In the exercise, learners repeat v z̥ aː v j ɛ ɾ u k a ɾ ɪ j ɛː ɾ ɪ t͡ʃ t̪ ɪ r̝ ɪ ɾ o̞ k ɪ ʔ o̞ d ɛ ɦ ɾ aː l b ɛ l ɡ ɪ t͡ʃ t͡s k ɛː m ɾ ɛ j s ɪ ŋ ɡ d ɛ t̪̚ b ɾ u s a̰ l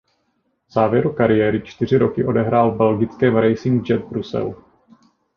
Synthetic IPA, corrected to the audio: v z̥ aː v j ɛ ɾ u k a ɾ ɪ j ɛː ɾ ɪ t͡ʃ t̪ ɪ r̝ ɪ ɾ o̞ k ɪ ʔ o̞ d ɛ ɦ ɾ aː l b ɛ l ɡ ɪ t͡s k ɛː m ɾ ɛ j s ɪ ŋ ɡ d͡ʒ ɛ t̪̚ b ɾ u s ɛ̰ l